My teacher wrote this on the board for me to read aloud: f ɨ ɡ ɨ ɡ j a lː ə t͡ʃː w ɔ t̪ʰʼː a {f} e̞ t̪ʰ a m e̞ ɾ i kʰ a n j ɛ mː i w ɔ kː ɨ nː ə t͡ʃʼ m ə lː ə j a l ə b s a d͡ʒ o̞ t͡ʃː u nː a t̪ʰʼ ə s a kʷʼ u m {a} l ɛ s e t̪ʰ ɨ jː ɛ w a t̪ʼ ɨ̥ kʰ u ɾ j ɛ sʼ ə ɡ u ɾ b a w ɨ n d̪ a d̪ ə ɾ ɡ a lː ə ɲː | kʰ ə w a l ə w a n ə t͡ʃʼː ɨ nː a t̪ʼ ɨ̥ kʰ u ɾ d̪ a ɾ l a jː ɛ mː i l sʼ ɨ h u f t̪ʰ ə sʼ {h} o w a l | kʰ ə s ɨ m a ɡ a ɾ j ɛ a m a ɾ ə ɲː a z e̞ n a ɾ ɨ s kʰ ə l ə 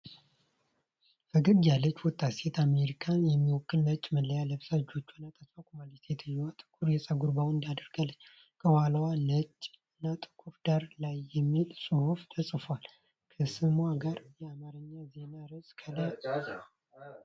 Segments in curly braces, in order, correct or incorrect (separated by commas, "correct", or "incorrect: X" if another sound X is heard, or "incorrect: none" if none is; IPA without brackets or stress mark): incorrect: s, correct, incorrect: f